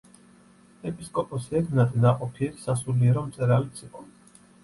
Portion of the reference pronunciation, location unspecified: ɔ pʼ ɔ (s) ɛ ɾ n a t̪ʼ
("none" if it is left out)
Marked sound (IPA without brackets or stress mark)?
s